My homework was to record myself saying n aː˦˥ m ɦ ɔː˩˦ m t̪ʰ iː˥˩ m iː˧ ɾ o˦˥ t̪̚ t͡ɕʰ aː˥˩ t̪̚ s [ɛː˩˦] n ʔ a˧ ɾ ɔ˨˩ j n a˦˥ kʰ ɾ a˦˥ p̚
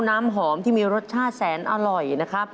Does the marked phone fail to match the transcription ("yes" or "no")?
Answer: no